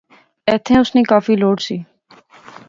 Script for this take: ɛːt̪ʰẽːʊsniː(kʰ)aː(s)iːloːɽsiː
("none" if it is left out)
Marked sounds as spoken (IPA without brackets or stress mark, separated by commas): k, f